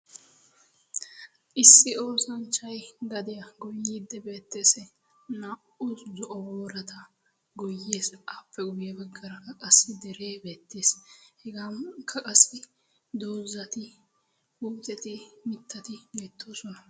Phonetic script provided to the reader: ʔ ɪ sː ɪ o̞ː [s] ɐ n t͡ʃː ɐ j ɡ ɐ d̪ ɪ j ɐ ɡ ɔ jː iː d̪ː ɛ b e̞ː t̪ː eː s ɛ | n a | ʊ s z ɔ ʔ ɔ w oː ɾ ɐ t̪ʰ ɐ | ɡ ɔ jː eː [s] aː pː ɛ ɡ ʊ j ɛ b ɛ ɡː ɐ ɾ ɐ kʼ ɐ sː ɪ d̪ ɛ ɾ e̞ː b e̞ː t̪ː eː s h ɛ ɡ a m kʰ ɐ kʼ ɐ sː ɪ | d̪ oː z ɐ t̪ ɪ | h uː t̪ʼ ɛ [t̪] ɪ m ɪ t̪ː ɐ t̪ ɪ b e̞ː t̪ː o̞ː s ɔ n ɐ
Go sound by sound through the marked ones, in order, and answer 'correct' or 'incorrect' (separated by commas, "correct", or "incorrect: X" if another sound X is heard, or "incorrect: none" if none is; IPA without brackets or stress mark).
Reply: correct, correct, correct